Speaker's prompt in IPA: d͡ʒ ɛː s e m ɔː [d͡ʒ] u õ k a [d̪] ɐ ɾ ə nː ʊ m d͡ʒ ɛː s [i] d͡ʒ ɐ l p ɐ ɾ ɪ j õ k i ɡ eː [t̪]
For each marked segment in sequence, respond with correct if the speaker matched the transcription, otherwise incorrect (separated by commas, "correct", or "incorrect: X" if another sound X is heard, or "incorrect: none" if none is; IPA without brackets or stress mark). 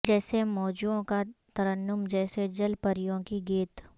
correct, incorrect: t̪, incorrect: e, correct